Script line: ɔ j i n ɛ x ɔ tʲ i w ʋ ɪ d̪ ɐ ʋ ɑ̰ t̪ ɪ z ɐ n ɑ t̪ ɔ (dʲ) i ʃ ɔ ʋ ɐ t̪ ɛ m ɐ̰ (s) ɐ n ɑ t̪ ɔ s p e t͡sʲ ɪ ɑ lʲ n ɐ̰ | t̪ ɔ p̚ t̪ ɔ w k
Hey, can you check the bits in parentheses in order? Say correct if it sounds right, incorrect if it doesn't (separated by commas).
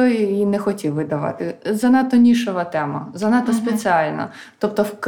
incorrect, incorrect